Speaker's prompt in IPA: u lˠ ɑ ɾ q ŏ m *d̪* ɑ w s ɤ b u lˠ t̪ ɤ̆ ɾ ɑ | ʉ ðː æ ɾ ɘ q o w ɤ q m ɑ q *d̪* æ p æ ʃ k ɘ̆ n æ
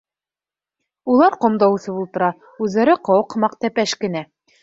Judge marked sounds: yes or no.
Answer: yes, no

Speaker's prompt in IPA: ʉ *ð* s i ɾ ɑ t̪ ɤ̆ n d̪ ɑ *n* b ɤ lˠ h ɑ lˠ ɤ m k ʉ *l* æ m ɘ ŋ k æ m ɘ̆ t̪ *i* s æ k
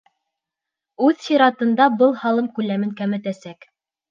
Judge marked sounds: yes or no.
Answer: yes, no, yes, no

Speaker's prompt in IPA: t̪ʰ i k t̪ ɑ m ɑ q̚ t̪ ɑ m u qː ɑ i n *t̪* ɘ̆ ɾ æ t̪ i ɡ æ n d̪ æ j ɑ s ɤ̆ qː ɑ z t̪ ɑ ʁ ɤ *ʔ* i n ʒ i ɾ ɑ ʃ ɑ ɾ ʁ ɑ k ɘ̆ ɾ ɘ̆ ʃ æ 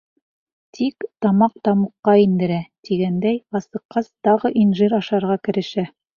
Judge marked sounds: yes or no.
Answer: no, yes

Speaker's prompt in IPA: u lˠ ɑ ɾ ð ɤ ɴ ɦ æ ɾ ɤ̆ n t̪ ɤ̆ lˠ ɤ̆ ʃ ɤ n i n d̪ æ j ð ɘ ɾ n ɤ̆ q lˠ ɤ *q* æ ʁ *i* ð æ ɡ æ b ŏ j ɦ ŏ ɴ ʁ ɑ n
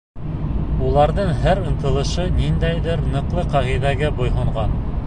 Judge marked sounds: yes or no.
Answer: yes, yes

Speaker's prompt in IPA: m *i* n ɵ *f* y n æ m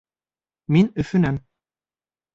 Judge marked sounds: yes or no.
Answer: yes, yes

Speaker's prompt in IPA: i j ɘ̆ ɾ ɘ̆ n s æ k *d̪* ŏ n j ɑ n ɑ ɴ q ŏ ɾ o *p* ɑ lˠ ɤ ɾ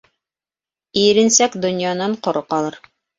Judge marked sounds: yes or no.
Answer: yes, no

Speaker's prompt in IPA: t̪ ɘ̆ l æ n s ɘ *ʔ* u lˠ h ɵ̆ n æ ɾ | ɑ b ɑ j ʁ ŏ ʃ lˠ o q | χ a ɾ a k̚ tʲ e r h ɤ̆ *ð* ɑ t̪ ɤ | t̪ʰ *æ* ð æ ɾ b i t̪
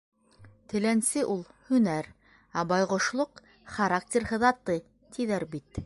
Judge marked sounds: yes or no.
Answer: yes, yes, no

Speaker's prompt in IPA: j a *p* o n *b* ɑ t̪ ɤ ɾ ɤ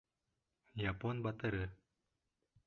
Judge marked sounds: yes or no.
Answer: yes, yes

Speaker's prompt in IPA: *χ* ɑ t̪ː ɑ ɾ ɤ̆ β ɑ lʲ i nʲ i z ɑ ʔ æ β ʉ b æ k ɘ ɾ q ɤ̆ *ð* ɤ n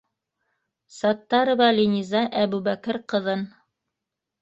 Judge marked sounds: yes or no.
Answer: no, yes

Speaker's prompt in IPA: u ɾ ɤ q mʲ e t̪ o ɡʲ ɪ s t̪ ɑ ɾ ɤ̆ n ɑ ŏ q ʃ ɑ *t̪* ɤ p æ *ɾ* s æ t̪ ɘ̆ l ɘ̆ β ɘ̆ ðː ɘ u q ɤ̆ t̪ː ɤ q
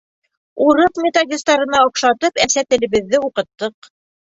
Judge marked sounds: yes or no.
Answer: yes, no

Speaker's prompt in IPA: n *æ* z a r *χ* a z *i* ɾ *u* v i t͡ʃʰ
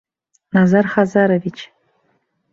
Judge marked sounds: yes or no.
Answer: no, yes, no, no

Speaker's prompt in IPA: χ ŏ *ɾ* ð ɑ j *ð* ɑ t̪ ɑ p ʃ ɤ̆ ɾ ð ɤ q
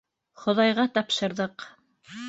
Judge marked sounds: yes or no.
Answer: no, no

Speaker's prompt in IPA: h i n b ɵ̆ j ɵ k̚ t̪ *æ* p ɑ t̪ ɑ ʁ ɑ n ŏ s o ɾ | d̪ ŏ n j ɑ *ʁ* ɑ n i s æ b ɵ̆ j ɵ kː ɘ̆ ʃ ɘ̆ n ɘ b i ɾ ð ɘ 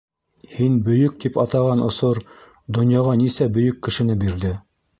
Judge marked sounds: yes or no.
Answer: no, yes

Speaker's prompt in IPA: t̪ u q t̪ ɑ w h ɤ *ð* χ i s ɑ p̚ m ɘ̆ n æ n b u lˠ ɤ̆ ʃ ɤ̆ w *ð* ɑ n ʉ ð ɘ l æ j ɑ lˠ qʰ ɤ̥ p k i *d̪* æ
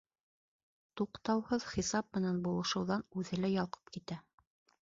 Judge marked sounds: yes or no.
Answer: yes, yes, no

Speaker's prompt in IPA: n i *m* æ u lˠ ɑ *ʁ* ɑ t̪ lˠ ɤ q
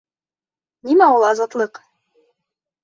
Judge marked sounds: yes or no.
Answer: yes, no

